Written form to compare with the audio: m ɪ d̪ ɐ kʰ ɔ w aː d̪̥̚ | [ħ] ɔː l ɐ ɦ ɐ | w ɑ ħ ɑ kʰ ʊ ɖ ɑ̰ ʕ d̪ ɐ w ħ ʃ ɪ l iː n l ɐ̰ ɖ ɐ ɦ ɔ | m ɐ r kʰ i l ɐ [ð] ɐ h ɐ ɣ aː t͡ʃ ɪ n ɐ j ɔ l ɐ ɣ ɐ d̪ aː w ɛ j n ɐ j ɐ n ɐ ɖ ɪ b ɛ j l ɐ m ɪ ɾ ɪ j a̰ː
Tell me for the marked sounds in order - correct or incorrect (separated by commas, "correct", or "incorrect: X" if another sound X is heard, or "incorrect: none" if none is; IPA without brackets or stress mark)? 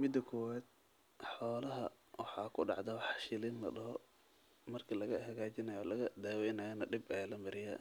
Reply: correct, incorrect: ɣ